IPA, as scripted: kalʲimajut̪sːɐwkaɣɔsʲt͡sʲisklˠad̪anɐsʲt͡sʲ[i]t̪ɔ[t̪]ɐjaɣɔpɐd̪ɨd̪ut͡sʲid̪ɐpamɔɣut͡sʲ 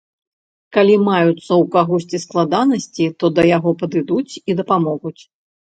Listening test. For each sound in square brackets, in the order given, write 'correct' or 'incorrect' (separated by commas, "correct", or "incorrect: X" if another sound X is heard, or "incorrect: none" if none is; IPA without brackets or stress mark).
correct, incorrect: d̪